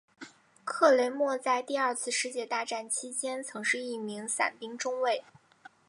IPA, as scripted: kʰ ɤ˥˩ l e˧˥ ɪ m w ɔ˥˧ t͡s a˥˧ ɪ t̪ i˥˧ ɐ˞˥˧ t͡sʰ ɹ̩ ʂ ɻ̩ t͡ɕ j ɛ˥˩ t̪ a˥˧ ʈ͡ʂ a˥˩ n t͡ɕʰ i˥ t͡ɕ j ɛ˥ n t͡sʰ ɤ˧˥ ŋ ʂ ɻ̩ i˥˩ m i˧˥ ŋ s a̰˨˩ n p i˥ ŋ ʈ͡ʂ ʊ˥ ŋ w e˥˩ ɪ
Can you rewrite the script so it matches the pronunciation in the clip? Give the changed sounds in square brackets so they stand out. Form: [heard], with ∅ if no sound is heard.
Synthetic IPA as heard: kʰ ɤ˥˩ l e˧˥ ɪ m w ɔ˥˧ t͡s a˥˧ ɪ t̪ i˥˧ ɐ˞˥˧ t͡sʰ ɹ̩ ʂ ɻ̩ t͡ɕ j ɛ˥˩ t̪ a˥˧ ʈ͡ʂ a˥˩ n t͡ɕʰ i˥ t͡ɕ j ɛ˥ n t͡sʰ ɤ˧˥ ŋ ʂ ɻ̩ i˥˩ m i˧˥ ŋ s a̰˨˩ n p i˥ ŋ ʈ͡ʂ ʊ˥ ŋ w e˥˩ ɪ